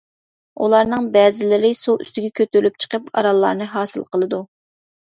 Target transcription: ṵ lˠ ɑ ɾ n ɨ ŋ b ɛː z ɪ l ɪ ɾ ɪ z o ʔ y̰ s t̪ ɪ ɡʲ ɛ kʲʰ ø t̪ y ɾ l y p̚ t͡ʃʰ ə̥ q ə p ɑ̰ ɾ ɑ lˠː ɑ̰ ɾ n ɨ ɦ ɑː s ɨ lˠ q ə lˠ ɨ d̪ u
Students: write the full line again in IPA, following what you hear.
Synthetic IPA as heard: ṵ lˠ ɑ ɾ n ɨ ŋ b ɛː z ɪ l ɪ ɾ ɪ s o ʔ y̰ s t̪ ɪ ɡʲ ɛ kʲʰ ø t̪ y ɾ l y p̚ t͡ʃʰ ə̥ q ə p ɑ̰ ɾ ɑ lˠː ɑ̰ ɾ n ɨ ɦ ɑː s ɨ lˠ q ə lˠ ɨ d̪ u

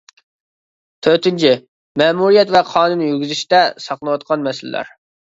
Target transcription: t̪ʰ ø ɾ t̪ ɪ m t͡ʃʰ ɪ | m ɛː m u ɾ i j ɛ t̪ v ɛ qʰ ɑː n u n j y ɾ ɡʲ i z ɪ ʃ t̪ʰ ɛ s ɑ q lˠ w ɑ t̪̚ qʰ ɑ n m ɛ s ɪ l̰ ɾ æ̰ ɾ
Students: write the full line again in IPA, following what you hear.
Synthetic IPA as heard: t̪ʰ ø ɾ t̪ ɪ n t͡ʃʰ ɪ | m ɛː m u ɾ i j ɛ t̪ v ɛ qʰ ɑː n u n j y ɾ ɡʲ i z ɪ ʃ t̪ ɛ s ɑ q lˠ w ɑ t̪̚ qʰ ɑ n m ɛ s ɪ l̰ l æ̰ ɾ

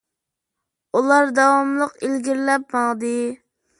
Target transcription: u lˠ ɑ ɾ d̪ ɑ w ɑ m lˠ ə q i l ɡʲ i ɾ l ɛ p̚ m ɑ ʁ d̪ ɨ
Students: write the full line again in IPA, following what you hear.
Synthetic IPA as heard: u lˠ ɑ ɾ d̪ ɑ w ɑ m lˠ ə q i l ɡʲ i ɾ l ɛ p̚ m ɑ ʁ d̪ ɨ

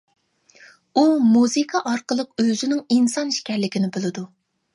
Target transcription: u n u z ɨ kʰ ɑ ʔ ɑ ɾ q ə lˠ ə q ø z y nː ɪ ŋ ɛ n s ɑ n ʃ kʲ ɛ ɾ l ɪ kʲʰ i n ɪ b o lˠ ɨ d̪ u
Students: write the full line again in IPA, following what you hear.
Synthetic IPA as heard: u m u z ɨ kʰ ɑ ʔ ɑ ɾ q ə lˠ ə q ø z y n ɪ ŋ i n s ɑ n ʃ kʲ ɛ ɾ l ɪ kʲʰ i n ɪ b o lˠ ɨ d̪ u

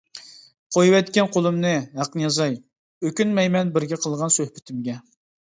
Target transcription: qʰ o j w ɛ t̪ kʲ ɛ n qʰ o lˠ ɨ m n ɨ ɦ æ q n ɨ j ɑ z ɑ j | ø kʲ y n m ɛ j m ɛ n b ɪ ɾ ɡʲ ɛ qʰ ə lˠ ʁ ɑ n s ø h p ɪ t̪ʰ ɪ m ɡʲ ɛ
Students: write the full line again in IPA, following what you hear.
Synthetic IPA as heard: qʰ o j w ɛ t̪ kʲ ɛ n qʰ o lˠ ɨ m n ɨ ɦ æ q n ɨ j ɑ z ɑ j | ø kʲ y n m ɛ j m ɛ n b ɪ ɾ ɡʲ ɛ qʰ ə lˠ ʁ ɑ n s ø h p ɪ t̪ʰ ɪ m ɡʲ ɛ

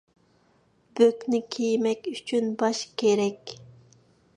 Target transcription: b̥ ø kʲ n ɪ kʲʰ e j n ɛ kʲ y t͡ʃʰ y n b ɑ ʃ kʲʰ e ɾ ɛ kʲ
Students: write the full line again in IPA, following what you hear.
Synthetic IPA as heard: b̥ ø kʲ n ɪ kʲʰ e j m ɛ kʲ y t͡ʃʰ y n b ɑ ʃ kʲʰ e ɾ ɛ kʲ

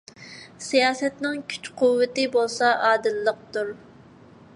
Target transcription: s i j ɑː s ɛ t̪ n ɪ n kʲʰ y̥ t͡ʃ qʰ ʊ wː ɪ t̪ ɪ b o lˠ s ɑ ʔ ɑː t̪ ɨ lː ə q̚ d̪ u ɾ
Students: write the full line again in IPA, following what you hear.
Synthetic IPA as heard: s i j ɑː s ɛ t̪ n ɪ ŋ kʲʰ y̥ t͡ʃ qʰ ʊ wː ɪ t̪ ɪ b o lˠ s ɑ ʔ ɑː d̪ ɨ lː ə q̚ t̪ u ɾ

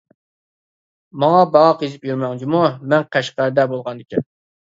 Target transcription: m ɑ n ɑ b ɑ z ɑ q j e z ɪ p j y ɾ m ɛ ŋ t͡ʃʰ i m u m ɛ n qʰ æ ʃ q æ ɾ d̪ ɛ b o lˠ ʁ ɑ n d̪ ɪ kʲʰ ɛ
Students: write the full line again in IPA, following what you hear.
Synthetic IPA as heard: m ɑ ŋ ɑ b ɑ ʁ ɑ q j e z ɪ p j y ɾ m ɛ ŋ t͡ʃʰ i m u m ɛ n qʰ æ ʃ q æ ɾ d̪ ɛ b o lˠ ʁ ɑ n d̪ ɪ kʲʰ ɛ

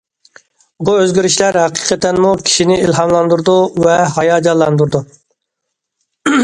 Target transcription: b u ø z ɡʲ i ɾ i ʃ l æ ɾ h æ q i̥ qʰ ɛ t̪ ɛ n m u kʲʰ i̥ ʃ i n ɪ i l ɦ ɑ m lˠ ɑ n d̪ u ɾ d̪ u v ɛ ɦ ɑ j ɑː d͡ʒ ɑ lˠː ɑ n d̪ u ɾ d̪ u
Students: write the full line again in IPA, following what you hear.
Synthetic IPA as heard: b u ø z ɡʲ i ɾ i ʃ l æ ɾ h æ q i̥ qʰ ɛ t̪ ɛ n m u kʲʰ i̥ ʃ i n ɪ i l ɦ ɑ m lˠ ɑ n d̪ u ɾ d̪ u v ɛ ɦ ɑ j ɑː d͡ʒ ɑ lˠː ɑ n d̪ u ɾ d̪ u

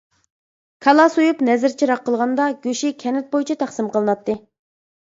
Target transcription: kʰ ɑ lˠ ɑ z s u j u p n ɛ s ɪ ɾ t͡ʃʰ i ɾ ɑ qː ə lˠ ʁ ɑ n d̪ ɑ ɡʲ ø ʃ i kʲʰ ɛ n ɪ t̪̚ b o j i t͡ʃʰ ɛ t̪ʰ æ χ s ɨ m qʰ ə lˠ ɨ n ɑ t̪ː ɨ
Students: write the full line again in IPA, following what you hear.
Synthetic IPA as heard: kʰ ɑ lˠ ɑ s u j u p n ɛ z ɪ ɾ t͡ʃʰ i ɾ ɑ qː ə lˠ ʁ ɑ n d̪ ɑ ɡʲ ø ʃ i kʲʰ ɛ n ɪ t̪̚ b o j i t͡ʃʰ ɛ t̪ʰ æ χ s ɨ m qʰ ə lˠ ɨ n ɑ t̪ː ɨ

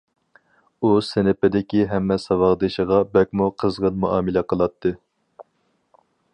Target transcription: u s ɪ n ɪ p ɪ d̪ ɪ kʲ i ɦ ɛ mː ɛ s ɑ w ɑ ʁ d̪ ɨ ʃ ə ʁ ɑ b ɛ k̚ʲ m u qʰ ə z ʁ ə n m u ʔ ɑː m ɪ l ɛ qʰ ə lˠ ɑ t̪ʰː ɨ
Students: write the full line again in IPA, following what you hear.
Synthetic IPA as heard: u s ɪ n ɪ p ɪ d̪ ɪ kʲ i ɦ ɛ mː ɛ s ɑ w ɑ ʁ d̪ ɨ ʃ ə ʁ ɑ b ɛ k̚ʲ m u qʰ ə z ʁ ə n m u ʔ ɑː m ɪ l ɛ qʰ ə lˠ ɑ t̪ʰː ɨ

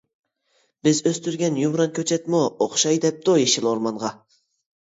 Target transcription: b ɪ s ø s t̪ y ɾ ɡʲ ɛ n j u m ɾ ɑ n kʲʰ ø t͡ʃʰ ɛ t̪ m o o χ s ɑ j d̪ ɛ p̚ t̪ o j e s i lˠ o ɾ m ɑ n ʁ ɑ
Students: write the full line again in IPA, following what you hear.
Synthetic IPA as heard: b ɪ z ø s t̪ y ɾ ɡʲ ɛ n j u m ɾ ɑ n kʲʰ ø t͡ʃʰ ɛ t̪ m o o χ ʃ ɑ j d̪ ɛ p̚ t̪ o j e ʃ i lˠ o ɾ m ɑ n ʁ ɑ

